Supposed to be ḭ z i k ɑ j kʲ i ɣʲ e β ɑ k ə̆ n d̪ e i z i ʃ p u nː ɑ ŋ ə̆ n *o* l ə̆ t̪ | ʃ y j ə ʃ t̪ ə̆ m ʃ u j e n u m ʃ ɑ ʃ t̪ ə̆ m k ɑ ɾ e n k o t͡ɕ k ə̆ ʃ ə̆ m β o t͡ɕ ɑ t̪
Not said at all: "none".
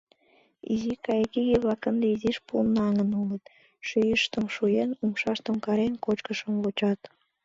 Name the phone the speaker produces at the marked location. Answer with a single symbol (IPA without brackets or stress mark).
u